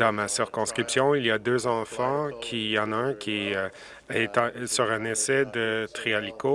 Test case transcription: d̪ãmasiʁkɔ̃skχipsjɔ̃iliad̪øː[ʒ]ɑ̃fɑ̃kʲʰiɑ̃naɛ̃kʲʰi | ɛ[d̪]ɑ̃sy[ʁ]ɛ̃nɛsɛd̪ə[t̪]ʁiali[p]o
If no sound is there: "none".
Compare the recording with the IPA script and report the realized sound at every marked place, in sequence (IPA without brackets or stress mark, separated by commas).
z, t̪, ʁ, t̪, k